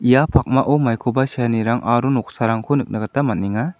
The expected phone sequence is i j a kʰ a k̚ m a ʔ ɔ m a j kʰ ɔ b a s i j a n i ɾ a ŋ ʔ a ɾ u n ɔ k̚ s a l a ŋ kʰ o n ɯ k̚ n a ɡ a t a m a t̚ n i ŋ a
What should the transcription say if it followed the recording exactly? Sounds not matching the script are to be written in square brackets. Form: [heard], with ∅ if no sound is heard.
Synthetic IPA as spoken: i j a [pʰ] a k̚ m a ʔ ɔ m a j kʰ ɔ b a s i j a n i ɾ a ŋ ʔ a ɾ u n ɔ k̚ s a [ɾ] a ŋ kʰ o n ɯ k̚ n a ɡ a t a m a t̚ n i ŋ a